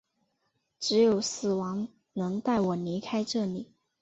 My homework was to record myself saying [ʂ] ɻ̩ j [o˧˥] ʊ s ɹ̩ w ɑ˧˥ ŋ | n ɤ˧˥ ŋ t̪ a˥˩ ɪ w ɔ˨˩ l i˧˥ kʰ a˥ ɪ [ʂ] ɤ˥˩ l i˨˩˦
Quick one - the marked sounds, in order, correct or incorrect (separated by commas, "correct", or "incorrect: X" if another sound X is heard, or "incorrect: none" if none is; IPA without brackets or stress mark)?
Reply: incorrect: ʈ͡ʂ, incorrect: o˨˩, incorrect: ʈ͡ʂ